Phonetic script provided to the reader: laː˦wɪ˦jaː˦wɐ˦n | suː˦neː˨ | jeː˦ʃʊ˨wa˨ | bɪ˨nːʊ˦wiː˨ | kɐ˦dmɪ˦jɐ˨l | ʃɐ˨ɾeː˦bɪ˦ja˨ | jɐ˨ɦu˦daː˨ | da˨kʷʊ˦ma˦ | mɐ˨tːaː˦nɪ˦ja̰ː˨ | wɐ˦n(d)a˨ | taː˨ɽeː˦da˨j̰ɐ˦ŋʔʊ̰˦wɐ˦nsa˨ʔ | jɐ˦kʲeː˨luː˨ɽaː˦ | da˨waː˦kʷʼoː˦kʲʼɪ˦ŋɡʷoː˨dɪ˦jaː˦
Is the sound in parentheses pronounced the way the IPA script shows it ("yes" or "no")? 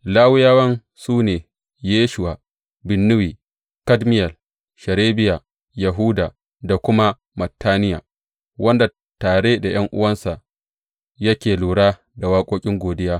yes